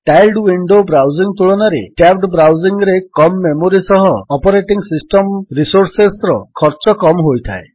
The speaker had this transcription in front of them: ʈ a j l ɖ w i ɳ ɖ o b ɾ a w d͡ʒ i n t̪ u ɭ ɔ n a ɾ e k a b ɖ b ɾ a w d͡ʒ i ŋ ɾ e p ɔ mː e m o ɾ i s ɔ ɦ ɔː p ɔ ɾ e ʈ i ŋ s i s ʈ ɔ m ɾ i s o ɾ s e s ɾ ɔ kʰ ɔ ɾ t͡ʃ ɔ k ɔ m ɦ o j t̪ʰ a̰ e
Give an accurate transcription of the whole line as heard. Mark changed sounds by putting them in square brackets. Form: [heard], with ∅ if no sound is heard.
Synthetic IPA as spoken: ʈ a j l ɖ w i ɳ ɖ o b ɾ a w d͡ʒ i [ŋ] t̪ u ɭ ɔ n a ɾ e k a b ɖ b ɾ a w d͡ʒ i ŋ ɾ e [k] ɔ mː e m o ɾ i s ɔ ɦ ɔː p ɔ ɾ e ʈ i ŋ s i s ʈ ɔ m ɾ i s o ɾ s e s ɾ ɔ kʰ ɔ ɾ t͡ʃ ɔ k ɔ m ɦ o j t̪ʰ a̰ e